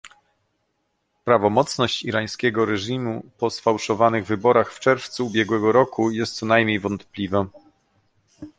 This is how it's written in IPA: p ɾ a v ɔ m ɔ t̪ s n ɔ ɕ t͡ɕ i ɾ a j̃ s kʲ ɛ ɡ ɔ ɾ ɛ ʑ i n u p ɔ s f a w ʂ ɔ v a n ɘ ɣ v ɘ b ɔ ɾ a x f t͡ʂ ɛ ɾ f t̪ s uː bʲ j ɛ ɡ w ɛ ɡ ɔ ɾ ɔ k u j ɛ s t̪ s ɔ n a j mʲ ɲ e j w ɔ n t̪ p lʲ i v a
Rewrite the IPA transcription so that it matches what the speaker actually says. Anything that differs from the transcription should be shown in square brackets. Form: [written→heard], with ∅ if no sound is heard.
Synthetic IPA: p ɾ a v ɔ m ɔ t̪ s n ɔ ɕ t͡ɕ i ɾ a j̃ s kʲ ɛ ɡ ɔ ɾ ɛ [ʑ→ʐ] i [n→m] u p ɔ s f a w ʂ ɔ v a n ɘ ɣ v ɘ b ɔ ɾ a x f t͡ʂ ɛ ɾ f t̪ s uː bʲ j ɛ ɡ w ɛ ɡ ɔ ɾ ɔ k u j ɛ s t̪ s ɔ n a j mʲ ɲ e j [w→v] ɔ n t̪ p lʲ i v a